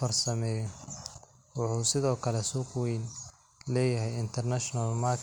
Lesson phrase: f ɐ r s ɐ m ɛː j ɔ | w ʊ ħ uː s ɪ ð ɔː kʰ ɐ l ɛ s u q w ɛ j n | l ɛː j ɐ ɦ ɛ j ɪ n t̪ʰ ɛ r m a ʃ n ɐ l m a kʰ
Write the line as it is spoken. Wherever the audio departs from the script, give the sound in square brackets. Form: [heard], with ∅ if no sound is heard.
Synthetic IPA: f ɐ r s ɐ m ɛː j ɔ | w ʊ ħ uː s ɪ ð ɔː kʰ ɐ l ɛ s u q w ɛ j n | l ɛː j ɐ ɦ ɛ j ɪ n t̪ʰ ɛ r [n] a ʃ n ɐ l m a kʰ